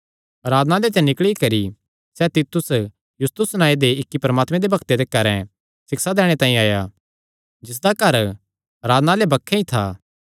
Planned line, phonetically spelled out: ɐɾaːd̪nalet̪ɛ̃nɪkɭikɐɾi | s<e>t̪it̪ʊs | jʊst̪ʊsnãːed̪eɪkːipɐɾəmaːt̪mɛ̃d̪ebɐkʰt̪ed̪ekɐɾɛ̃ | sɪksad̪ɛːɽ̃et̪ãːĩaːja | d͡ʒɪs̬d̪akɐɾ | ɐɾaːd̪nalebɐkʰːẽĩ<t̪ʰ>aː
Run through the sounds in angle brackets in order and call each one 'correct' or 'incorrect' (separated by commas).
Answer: incorrect, correct